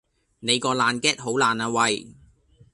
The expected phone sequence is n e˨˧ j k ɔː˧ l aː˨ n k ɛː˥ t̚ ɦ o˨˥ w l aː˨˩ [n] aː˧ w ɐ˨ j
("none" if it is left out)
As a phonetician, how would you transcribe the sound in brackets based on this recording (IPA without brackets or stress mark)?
n